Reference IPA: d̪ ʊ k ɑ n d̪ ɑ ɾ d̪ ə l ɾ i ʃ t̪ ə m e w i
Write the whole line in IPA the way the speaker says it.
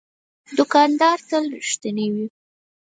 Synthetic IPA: d̪ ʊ k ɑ n d̪ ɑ ɾ t̪ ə l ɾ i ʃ t̪ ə n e w i